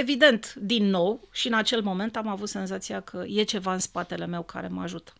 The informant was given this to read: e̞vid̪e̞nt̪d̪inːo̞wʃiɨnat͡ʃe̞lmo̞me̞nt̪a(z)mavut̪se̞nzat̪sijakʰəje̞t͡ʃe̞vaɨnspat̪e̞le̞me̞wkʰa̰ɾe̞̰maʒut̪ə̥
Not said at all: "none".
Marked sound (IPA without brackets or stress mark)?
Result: none